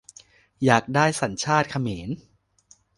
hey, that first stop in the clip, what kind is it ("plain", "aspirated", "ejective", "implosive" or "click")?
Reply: plain